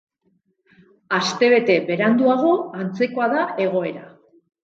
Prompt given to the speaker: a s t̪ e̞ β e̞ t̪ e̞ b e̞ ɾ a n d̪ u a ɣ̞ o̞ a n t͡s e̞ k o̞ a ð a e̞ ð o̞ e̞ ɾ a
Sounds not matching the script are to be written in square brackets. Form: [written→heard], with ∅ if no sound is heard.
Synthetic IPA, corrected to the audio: a s t̪ e̞ β e̞ t̪ e̞ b e̞ ɾ a n d̪ u a ɣ̞ o̞ a n t͡s e̞ k o̞ a ð a e̞ [ð→ɣ] o̞ e̞ ɾ a